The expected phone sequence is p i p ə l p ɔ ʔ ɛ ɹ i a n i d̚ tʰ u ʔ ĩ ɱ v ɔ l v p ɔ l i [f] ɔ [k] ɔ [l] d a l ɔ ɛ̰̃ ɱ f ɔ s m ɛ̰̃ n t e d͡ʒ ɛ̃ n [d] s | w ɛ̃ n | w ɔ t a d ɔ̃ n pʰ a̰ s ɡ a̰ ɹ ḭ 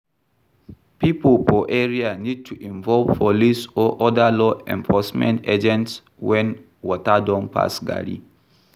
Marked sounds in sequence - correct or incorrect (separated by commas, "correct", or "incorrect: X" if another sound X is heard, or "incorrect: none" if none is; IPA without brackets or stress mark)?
incorrect: s, incorrect: ʔ, incorrect: none, incorrect: t